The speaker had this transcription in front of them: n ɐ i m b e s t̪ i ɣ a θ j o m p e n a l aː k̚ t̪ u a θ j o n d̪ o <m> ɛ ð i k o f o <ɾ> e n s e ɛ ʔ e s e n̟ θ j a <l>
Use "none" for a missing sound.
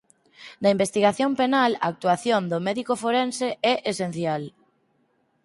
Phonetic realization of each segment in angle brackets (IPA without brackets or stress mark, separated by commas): m, ɾ, l